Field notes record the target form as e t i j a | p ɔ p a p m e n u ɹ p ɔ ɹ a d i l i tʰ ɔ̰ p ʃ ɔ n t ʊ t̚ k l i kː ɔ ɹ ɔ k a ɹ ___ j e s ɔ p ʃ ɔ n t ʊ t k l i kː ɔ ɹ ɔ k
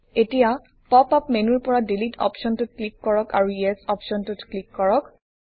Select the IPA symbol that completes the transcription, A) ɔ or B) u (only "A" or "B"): B